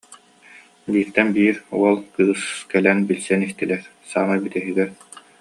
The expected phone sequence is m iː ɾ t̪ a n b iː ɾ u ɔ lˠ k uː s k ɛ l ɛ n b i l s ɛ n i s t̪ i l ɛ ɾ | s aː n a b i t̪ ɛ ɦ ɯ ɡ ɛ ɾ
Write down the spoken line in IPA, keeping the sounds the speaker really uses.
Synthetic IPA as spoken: b iː ɾ t̪ ɛ n b iː ɾ u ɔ lˠ k ɯː s k ɛ l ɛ n b i l s ɛ n i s t̪ i l ɛ ɾ | s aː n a b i t̪ ɛ ɦ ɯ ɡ ɛ ɾ